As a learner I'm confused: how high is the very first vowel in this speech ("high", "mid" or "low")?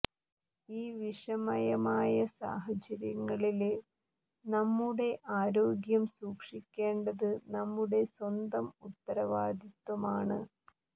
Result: high